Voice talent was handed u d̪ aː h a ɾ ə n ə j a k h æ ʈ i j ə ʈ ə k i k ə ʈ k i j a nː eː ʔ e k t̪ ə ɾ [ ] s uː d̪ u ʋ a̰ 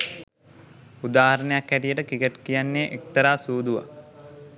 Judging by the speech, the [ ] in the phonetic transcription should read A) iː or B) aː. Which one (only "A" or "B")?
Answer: B